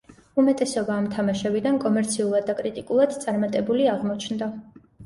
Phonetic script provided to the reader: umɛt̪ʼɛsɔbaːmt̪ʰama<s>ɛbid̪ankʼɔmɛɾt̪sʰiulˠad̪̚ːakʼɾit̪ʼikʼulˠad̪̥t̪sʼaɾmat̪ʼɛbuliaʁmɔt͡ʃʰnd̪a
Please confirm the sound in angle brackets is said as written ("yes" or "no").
no